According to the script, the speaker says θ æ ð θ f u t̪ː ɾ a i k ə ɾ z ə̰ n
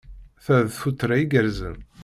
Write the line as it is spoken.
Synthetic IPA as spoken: θ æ ð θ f u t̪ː ɾ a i ɡ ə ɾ z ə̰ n

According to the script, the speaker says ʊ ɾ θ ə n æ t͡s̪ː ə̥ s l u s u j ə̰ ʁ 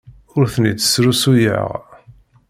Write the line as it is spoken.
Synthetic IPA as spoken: ʊ ɾ θ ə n i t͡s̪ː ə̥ s ɾ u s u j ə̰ ʁ

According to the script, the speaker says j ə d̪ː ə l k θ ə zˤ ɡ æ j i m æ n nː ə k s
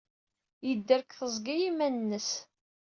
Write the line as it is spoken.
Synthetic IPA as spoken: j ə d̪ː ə ɾ k θ ə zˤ ɡ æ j i m æ n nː ə s

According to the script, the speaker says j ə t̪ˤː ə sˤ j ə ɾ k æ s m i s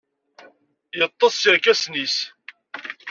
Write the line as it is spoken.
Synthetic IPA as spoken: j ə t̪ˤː ɑ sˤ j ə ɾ k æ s n i s

